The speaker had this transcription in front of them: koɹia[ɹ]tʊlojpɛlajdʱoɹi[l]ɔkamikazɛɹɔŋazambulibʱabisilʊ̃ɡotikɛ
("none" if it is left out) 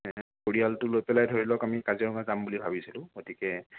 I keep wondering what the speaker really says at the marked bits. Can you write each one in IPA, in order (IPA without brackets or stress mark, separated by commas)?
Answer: l, l